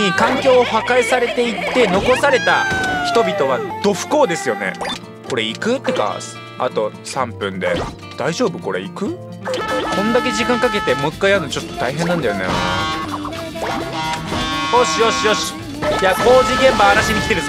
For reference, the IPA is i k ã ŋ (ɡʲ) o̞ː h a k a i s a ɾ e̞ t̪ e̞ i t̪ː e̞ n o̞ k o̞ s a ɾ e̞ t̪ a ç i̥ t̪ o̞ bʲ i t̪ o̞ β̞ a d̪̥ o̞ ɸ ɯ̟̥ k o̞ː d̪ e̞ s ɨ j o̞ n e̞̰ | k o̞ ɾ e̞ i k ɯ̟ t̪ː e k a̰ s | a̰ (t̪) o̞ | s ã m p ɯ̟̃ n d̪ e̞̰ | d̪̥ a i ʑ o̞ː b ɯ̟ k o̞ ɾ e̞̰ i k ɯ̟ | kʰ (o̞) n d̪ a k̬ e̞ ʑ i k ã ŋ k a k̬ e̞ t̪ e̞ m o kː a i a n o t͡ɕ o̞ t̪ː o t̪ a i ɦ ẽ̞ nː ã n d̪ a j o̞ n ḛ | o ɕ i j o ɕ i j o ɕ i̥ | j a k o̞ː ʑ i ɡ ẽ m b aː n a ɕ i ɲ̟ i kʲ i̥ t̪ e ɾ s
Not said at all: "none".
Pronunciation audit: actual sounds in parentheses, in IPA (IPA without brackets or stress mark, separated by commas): kʲ, t̪, õ̞